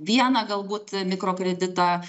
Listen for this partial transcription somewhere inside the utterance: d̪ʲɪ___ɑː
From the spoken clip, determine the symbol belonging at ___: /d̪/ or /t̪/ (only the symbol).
t̪